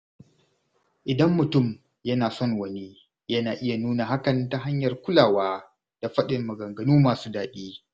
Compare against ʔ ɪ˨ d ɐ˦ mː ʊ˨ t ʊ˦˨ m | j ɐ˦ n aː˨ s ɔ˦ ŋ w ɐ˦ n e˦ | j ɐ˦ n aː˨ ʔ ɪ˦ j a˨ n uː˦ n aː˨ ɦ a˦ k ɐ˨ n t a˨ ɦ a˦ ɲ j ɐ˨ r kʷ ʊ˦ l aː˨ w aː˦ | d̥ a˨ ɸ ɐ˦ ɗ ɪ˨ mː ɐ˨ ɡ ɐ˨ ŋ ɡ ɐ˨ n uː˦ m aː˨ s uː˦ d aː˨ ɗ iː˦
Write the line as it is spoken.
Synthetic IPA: ʔ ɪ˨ d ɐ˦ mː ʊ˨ t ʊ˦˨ m | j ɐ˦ n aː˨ s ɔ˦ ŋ w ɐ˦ n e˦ | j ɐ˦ n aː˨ ʔ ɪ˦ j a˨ n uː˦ n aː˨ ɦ a˦ k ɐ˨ n t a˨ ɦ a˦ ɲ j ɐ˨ r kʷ ʊ˦ l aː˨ w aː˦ | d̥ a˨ ɸ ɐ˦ ɗ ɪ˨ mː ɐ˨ ɡ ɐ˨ ŋ ɡ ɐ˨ n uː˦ m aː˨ s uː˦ d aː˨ ɗ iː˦

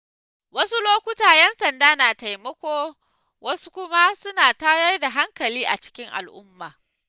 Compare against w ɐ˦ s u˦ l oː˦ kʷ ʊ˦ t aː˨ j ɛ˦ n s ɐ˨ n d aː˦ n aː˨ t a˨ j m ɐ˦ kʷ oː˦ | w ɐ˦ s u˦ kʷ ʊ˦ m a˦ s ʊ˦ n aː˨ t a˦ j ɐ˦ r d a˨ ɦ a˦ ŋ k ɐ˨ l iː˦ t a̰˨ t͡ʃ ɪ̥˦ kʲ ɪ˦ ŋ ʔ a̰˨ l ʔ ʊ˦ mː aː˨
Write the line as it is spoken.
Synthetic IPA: w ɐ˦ s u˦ l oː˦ kʷ ʊ˦ t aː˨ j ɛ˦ n s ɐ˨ n d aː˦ n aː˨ t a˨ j m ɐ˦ kʷ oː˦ | w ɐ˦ s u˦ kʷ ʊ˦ m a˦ s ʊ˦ n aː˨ t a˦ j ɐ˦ r d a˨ ɦ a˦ ŋ k ɐ˨ l iː˦ ʔ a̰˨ t͡ʃ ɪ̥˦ kʲ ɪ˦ ŋ ʔ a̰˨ l ʔ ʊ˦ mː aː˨

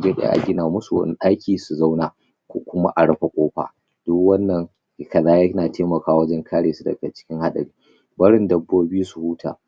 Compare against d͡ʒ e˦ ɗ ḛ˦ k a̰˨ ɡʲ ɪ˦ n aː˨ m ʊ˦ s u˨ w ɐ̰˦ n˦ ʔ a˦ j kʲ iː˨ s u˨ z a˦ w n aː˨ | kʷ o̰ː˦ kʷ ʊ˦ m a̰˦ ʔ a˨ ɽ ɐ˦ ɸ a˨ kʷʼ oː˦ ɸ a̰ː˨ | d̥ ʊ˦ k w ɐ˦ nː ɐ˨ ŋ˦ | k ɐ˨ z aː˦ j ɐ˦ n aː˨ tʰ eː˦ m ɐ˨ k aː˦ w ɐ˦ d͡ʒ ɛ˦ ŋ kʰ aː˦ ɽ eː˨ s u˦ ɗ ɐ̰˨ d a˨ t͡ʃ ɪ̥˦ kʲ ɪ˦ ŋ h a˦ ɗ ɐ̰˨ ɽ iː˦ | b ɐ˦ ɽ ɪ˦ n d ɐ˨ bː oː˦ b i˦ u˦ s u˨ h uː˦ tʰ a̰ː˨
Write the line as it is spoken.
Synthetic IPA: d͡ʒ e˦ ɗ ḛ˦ ʔ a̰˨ ɡʲ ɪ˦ n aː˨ m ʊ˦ s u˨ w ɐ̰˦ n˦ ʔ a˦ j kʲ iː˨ s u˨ z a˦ w n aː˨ | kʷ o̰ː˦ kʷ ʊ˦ m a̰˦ ʔ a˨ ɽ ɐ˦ ɸ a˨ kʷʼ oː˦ ɸ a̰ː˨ | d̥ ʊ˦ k w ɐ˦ nː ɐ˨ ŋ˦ | k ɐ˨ z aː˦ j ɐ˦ n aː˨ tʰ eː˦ m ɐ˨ k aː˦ w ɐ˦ d͡ʒ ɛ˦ ŋ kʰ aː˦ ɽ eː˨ s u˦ d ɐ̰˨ ɡ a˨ t͡ʃ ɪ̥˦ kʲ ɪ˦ ŋ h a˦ ɗ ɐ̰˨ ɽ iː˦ | b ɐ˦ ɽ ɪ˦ n d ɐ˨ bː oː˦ b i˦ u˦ s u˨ h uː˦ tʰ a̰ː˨

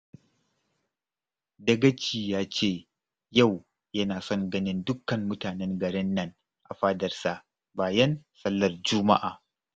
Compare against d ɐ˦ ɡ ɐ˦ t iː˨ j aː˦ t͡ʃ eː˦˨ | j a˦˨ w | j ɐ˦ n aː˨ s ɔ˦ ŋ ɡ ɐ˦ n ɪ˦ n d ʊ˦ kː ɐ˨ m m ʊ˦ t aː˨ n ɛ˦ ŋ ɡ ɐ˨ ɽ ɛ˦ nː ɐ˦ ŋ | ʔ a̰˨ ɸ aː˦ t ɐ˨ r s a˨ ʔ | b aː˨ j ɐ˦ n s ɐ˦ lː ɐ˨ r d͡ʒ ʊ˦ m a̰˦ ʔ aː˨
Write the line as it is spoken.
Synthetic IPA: d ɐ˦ ɡ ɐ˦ t͡ʃ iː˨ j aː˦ t͡ʃ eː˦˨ | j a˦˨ w | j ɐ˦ n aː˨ s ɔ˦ ŋ ɡ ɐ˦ n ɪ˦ n d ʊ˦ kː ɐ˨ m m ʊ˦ t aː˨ n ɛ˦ ŋ ɡ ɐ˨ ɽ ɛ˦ nː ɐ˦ ŋ | ʔ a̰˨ ɸ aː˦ d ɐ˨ r s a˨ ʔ | b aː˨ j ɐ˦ n s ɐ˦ lː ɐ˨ r d͡ʒ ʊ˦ m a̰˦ ʔ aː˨

